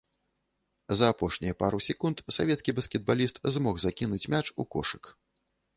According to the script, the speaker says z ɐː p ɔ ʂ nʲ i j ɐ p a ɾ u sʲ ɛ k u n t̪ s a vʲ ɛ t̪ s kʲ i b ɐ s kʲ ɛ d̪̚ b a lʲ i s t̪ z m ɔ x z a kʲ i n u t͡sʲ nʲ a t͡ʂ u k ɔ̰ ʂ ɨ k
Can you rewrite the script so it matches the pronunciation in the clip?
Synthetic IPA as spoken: z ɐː p ɔ ʂ nʲ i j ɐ p a ɾ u sʲ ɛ k u n t̪ s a vʲ ɛ t̪ s kʲ i b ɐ s kʲ ɛ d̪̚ b a lʲ i s t̪ z m ɔ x z a kʲ i n u t͡sʲ mʲ a t͡ʂ u k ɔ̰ ʂ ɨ k

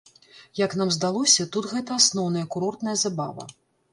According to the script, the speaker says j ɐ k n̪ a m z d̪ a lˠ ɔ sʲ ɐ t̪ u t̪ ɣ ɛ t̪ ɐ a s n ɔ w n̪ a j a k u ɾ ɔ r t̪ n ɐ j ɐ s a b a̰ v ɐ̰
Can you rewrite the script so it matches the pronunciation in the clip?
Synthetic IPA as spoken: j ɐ k n̪ a m z d̪ a lˠ ɔ sʲ ɐ t̪ u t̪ ɣ ɛ t̪ ɐ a s n ɔ w n̪ ɐ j ɐ k u ɾ ɔ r t̪ n ɐ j ɐ z a b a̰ v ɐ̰

